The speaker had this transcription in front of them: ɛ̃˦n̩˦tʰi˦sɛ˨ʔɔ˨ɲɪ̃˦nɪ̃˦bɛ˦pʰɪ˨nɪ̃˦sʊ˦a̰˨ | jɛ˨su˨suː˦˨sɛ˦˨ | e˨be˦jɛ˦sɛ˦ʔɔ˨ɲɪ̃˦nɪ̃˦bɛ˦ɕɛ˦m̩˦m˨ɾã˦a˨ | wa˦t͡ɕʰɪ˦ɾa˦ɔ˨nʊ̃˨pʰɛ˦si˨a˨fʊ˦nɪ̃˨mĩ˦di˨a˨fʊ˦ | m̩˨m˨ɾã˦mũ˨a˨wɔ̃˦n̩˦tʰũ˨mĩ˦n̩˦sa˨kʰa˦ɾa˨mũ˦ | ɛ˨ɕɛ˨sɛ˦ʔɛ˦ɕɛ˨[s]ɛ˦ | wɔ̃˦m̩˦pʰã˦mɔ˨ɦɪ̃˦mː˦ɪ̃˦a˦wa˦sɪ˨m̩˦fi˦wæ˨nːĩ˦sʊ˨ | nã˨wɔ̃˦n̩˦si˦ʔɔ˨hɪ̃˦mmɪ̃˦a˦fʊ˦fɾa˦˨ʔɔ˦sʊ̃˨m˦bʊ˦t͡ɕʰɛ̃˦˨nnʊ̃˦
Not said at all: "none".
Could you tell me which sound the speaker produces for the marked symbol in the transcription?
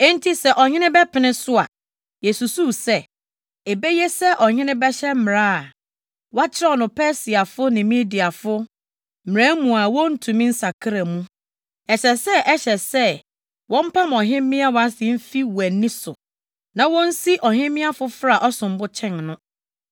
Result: s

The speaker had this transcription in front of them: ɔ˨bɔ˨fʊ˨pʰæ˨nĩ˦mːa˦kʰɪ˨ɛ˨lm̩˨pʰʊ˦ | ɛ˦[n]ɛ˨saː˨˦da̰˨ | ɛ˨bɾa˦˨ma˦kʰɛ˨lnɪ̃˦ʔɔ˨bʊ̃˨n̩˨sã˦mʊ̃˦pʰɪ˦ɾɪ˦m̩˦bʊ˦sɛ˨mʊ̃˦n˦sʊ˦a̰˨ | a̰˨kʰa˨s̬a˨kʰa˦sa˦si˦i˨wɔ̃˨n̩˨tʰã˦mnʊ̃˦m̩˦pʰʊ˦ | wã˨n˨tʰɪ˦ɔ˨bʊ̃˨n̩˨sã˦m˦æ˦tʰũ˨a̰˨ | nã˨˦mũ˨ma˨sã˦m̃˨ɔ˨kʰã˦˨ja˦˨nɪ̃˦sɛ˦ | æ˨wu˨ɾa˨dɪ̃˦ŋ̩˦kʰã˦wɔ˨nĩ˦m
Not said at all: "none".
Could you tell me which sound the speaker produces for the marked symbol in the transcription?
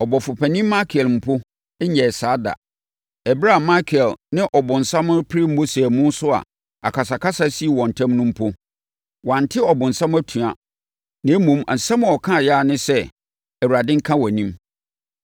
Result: ɲ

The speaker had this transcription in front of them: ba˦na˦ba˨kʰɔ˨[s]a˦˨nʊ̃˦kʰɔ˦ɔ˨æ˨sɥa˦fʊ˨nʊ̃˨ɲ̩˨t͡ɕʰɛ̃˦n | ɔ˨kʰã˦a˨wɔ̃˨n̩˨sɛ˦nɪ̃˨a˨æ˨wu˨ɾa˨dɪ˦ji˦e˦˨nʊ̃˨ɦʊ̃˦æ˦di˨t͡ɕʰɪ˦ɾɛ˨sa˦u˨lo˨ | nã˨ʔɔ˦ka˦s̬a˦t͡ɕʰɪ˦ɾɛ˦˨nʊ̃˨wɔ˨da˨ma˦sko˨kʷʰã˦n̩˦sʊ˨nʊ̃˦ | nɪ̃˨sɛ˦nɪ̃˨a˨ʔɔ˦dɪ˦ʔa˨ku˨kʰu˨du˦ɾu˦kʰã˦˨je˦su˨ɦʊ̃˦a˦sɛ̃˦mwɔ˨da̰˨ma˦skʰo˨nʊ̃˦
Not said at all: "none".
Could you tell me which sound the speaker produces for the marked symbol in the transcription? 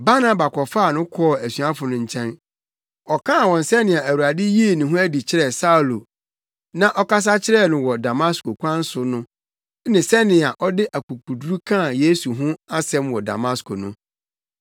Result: f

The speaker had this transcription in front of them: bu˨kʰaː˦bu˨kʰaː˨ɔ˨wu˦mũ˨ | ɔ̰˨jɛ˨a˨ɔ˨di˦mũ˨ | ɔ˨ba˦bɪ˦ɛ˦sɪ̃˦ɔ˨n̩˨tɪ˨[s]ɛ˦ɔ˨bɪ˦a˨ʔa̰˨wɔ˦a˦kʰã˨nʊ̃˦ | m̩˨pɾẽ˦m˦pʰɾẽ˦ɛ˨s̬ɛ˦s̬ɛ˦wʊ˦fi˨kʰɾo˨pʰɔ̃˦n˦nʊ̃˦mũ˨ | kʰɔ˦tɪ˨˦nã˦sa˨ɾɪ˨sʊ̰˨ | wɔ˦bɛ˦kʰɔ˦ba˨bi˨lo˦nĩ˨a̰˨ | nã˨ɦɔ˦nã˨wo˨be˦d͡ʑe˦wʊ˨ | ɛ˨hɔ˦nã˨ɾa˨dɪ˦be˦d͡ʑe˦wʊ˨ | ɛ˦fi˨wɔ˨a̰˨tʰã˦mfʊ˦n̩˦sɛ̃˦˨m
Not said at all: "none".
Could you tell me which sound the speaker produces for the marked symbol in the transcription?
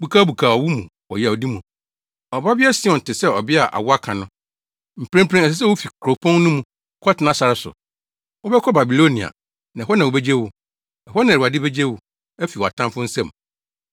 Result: s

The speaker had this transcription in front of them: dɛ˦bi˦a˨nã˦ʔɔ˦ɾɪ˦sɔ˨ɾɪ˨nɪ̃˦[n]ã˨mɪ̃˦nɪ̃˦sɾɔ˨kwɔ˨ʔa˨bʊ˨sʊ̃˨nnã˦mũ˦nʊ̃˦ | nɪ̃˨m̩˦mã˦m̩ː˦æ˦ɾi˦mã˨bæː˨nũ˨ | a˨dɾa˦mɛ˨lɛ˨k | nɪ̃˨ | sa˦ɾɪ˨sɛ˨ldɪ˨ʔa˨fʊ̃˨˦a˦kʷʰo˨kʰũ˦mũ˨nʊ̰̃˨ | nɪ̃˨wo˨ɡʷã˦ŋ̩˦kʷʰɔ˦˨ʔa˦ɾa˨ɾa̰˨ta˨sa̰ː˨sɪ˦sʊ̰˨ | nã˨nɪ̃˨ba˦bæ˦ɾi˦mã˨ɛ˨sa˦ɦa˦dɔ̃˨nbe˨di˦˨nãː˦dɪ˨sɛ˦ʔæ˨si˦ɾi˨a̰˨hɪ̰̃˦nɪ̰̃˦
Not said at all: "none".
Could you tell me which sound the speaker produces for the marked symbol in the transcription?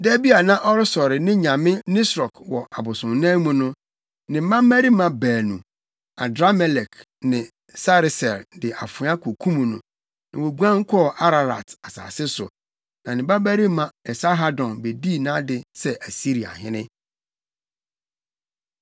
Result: ɲ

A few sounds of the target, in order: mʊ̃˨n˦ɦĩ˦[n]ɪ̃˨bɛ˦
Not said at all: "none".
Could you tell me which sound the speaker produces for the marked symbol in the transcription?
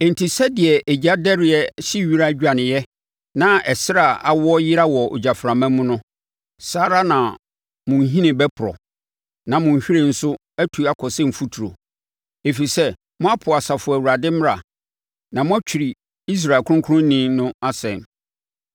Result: n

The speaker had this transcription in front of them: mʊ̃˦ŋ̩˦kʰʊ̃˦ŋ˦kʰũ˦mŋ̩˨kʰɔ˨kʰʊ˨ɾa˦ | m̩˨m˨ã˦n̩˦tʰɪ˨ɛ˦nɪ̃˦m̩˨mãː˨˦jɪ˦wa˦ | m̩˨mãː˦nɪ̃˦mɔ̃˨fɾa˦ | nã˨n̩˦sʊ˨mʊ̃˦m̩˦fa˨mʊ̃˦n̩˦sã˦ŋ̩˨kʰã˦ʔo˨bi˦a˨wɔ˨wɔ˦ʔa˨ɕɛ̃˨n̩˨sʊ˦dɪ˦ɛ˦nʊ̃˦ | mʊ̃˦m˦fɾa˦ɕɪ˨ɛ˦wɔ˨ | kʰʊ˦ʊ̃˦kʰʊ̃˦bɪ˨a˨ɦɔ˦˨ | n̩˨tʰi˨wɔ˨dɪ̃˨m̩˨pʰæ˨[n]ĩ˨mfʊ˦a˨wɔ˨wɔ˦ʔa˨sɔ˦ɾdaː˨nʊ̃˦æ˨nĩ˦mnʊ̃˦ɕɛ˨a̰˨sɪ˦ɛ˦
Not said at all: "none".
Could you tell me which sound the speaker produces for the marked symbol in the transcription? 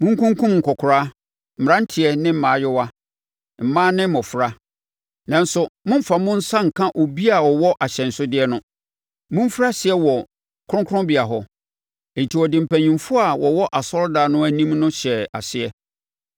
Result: ɲ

